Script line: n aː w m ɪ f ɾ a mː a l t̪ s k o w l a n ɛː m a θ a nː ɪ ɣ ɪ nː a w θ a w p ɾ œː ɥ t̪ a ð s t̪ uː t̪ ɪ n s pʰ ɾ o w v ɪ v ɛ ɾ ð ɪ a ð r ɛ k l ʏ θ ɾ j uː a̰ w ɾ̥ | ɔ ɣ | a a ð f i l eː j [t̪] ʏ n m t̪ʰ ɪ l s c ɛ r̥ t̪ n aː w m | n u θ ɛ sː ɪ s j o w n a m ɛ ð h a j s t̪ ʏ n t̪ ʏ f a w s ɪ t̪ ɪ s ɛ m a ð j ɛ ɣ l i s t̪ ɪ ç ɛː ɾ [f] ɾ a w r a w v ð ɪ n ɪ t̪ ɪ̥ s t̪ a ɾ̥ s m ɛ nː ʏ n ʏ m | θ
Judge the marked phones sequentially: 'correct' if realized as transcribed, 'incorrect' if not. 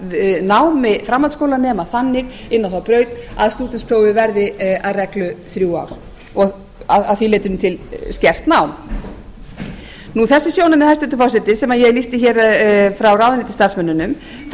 correct, correct

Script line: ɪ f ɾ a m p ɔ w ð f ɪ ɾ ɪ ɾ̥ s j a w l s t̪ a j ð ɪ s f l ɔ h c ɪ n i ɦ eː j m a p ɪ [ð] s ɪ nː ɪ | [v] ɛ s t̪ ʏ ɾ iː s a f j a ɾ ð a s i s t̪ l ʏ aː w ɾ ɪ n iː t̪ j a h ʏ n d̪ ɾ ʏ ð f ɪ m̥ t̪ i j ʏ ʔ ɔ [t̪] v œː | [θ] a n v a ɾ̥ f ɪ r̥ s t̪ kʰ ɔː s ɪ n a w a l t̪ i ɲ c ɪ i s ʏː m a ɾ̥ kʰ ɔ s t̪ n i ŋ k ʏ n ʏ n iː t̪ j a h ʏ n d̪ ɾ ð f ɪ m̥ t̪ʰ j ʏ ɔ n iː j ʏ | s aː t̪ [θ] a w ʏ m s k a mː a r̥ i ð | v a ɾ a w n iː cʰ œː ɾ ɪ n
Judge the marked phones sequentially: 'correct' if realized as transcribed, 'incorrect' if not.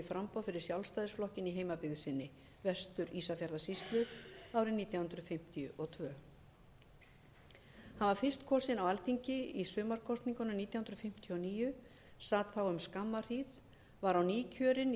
correct, correct, incorrect, incorrect, correct

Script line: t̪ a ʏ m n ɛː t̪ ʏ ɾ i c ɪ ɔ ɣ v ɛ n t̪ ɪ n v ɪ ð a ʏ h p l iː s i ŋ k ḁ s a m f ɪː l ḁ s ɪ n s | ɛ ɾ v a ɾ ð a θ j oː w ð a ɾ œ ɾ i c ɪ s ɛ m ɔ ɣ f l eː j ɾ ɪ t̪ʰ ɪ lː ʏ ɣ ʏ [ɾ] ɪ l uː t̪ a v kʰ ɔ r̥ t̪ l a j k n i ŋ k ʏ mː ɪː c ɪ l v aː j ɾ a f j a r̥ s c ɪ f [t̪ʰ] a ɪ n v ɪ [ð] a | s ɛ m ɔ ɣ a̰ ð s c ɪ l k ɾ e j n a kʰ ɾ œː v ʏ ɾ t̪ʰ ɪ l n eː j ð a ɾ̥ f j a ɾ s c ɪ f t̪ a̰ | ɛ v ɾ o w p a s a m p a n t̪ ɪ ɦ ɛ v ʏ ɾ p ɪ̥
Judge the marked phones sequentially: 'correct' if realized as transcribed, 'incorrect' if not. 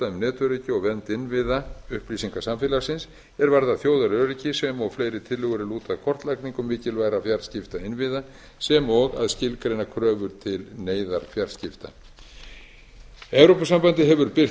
correct, incorrect, correct

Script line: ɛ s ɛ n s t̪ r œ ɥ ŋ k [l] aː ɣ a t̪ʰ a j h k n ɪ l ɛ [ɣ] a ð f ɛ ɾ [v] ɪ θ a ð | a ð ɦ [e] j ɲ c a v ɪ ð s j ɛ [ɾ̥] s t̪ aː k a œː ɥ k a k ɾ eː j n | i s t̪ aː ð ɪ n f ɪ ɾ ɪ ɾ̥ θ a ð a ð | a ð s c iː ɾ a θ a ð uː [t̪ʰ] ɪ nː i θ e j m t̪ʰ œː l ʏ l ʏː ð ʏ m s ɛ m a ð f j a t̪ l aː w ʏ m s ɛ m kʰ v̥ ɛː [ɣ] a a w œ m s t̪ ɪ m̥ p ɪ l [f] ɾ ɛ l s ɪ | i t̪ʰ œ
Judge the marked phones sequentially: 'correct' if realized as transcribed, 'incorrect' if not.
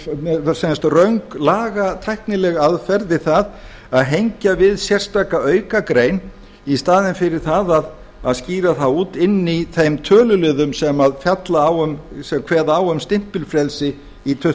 correct, correct, incorrect, correct, incorrect, incorrect, incorrect, correct

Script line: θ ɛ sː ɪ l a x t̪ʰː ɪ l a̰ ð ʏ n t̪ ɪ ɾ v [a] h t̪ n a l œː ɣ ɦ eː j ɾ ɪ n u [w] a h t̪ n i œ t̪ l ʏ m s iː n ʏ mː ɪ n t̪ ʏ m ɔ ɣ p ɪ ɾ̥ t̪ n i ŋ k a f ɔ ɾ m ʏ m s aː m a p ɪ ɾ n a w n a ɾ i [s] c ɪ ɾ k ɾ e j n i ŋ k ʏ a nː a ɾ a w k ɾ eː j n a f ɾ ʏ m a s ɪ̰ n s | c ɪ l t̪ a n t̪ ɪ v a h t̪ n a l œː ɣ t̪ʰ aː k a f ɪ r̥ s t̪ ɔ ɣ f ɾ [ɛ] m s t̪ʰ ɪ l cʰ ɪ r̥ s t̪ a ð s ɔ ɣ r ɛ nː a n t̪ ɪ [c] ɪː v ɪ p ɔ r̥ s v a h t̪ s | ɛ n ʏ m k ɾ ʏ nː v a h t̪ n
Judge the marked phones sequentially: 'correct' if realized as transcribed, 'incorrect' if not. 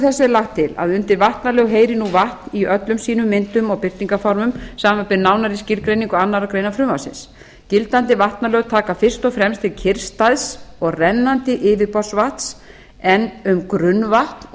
correct, incorrect, correct, correct, incorrect

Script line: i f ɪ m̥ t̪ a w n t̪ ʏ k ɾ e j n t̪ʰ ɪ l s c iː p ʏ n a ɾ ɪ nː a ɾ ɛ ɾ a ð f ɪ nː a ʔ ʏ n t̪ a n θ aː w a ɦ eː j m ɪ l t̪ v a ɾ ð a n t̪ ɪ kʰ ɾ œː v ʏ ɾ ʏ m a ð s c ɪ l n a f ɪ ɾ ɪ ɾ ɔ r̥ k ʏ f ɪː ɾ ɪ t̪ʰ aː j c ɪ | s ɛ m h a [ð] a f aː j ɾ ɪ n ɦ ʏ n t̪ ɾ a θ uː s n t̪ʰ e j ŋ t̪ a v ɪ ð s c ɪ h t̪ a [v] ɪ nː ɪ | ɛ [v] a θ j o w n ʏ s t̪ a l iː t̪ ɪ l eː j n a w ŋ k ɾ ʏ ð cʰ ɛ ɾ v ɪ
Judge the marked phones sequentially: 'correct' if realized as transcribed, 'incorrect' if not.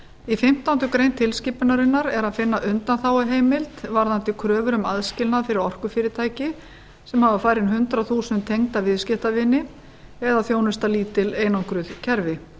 incorrect, correct, incorrect

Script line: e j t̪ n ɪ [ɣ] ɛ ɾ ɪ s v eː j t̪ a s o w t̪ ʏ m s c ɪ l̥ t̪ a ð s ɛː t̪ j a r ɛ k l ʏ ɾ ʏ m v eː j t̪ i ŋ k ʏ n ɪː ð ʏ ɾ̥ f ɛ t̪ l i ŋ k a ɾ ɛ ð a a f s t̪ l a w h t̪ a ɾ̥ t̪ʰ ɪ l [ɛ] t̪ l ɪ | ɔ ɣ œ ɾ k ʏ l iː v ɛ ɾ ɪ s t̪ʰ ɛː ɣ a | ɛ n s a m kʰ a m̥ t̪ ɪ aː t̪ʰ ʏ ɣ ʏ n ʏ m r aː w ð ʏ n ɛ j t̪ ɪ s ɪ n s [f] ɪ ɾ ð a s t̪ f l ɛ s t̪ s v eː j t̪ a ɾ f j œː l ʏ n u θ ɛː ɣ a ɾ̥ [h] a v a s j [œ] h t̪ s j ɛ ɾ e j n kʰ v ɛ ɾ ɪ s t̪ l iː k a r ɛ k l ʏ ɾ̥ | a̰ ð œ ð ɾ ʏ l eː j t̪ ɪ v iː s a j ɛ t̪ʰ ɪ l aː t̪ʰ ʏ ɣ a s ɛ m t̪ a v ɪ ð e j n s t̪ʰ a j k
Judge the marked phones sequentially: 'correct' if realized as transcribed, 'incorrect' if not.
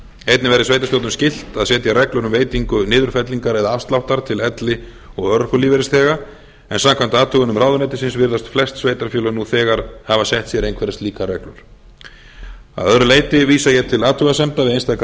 incorrect, correct, incorrect, correct, incorrect

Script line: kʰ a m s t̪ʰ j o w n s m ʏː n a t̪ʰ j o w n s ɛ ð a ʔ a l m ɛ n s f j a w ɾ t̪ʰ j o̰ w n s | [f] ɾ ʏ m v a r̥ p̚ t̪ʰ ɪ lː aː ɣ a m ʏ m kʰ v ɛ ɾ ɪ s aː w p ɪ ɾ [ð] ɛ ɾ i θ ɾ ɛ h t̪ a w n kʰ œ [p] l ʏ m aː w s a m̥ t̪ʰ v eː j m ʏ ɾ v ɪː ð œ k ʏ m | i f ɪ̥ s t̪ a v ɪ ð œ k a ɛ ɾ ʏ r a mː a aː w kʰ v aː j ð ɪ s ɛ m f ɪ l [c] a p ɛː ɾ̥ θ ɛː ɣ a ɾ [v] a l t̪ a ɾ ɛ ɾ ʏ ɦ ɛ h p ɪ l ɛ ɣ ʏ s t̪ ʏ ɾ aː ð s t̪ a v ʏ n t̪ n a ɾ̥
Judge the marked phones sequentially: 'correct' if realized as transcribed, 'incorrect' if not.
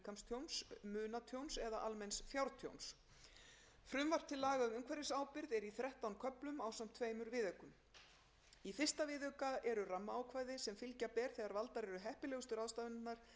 correct, correct, correct, correct, correct

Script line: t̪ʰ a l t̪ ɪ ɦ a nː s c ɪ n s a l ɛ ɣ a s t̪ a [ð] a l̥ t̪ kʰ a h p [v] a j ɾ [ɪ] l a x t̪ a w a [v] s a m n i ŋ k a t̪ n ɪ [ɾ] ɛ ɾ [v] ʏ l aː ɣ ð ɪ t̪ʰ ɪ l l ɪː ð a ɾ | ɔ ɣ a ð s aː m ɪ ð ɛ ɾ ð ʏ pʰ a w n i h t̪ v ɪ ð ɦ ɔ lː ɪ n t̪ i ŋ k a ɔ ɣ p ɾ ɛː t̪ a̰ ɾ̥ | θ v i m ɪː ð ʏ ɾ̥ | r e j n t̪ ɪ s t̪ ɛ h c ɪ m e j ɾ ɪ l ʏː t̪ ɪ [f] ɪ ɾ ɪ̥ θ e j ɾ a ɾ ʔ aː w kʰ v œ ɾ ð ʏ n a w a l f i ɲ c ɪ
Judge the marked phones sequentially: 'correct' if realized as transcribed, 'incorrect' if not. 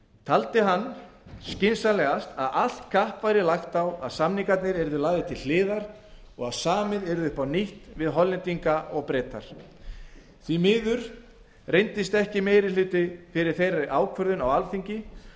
correct, correct, correct, incorrect, correct, incorrect, correct

